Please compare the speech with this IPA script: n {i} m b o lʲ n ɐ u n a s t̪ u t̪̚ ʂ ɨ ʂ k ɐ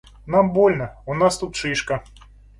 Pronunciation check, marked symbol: incorrect: a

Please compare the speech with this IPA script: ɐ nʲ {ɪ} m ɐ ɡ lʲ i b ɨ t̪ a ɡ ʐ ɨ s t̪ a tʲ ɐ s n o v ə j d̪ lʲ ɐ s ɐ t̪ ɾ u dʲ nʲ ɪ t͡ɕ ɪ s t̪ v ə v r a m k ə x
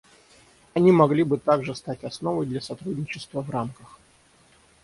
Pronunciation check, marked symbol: incorrect: i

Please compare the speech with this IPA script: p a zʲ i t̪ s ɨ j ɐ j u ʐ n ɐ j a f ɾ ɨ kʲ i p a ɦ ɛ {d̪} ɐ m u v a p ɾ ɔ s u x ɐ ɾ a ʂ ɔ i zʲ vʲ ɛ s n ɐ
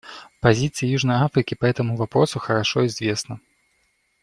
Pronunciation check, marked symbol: incorrect: t̪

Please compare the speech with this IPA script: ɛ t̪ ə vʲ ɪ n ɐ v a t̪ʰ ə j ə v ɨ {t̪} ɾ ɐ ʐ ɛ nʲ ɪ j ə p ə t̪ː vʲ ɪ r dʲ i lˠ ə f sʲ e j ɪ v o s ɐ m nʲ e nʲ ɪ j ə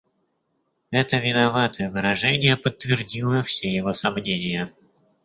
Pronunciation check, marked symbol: incorrect: none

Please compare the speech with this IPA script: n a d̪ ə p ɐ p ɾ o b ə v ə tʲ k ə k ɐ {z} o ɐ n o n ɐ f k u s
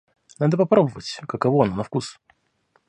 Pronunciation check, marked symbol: incorrect: v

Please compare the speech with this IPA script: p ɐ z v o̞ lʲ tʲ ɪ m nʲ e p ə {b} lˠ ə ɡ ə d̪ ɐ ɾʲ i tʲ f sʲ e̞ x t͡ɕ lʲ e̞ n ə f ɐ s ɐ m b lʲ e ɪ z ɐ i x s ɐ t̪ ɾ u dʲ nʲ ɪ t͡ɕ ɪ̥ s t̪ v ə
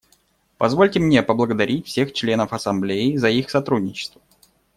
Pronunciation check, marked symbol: correct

